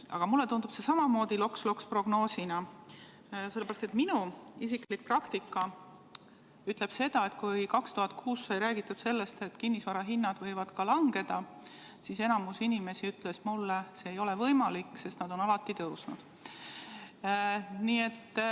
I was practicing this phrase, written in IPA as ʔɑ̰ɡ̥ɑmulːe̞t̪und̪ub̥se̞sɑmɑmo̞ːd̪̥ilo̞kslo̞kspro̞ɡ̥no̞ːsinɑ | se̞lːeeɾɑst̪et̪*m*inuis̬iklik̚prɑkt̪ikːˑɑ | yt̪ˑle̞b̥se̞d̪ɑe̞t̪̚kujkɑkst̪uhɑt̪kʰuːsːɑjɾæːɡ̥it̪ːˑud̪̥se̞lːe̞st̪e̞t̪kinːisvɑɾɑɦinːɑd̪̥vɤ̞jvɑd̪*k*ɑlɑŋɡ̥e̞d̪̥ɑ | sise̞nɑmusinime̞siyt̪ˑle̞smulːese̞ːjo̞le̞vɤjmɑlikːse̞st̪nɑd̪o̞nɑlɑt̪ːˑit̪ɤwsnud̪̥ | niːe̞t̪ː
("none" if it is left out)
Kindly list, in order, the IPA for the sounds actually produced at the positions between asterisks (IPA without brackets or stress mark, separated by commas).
m, k